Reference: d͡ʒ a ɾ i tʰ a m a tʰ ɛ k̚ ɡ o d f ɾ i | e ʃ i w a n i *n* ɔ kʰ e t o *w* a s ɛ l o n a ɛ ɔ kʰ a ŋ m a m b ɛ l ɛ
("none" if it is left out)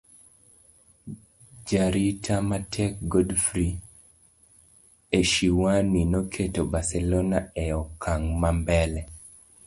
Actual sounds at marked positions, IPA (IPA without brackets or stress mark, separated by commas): n, b